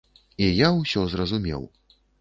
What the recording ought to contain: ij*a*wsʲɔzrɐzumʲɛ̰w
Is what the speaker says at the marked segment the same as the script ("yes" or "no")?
yes